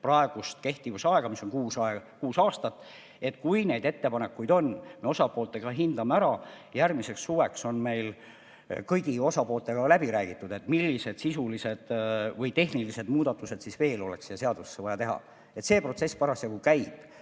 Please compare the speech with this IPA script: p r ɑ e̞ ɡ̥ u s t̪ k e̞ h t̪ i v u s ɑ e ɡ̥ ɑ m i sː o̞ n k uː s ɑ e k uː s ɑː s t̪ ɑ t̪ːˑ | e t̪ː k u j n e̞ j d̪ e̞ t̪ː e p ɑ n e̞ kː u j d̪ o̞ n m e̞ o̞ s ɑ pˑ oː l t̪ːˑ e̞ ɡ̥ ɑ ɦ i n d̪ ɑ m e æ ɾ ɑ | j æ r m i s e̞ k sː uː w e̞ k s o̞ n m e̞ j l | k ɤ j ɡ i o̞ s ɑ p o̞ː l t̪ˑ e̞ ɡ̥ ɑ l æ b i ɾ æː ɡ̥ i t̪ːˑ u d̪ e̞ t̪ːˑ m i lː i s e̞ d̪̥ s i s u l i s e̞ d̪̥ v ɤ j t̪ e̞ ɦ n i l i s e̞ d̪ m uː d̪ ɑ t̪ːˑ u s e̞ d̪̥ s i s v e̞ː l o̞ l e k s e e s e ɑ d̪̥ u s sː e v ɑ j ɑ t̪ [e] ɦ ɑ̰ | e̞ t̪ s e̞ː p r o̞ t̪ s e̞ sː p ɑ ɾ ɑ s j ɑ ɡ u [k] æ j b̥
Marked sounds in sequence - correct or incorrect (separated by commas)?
correct, correct